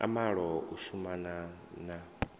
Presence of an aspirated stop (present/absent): absent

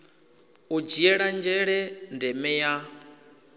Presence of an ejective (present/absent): absent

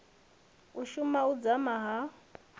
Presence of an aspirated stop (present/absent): absent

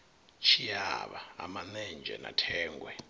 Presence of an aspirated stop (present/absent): present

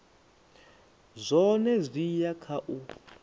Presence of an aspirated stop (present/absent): present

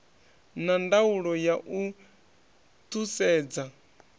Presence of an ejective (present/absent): absent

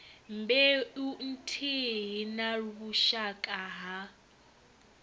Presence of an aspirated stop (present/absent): present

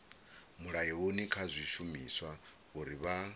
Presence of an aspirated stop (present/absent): present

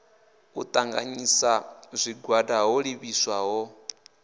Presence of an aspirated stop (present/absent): absent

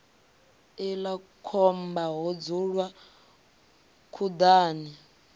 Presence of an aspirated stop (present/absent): present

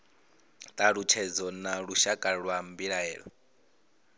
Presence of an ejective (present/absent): present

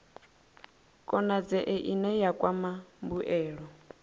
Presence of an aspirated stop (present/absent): absent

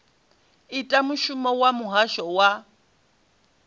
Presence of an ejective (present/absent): present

